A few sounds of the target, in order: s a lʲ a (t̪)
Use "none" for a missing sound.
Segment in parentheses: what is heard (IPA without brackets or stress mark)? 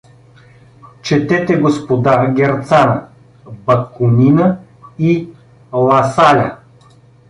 none